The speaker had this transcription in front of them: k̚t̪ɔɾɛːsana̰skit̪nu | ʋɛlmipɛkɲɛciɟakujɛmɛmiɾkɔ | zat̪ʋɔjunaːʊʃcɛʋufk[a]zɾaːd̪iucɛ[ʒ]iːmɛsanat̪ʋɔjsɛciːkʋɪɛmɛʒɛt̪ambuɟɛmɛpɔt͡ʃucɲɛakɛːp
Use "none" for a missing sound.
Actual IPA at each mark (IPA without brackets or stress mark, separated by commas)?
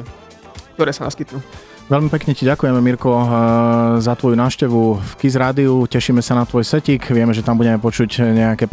i, ʃ